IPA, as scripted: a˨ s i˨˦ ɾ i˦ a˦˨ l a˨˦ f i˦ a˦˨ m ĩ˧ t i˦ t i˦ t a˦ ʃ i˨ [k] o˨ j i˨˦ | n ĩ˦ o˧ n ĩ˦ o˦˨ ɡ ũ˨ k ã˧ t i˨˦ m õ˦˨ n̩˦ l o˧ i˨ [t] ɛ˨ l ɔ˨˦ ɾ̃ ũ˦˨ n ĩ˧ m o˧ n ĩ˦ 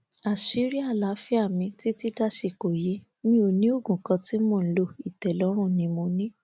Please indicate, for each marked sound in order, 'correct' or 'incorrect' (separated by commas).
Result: correct, correct